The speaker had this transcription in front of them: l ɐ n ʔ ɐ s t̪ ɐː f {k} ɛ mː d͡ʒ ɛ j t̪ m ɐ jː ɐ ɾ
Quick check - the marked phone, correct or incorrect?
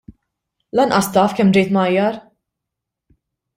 correct